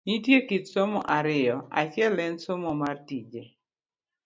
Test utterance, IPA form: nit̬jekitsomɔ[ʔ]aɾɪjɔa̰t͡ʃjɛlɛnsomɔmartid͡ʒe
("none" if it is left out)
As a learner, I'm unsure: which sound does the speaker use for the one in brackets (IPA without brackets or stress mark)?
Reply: ʔ